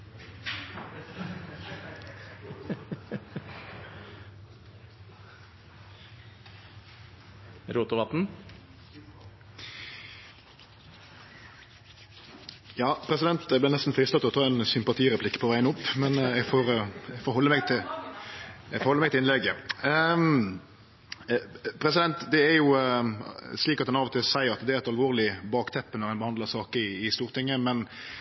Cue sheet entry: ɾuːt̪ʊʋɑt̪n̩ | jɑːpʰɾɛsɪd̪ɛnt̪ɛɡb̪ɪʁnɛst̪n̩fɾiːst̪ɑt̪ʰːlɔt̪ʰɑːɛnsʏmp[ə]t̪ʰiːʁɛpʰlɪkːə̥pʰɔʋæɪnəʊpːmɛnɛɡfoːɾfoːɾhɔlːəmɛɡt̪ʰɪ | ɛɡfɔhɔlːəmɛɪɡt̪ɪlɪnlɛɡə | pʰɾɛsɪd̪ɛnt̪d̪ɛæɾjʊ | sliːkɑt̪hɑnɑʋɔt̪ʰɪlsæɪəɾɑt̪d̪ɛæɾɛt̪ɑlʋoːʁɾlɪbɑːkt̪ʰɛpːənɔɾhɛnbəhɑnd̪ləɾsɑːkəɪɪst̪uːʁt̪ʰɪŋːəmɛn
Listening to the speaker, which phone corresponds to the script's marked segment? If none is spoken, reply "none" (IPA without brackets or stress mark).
ɑ